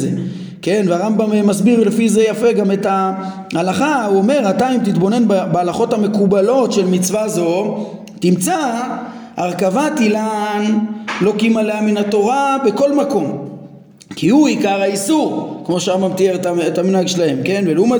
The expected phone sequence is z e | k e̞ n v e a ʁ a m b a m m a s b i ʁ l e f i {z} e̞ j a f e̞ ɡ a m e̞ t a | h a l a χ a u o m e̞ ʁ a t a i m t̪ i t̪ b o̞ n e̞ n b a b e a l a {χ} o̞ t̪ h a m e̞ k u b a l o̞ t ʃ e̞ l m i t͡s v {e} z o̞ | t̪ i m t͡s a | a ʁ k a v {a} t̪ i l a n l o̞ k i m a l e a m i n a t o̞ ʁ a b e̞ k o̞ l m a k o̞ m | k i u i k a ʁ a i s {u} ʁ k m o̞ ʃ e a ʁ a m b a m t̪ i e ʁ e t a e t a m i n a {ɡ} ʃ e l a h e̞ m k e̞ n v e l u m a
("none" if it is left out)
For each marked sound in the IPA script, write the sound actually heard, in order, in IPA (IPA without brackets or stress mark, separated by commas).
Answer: z, χ, a, a, u, ɡ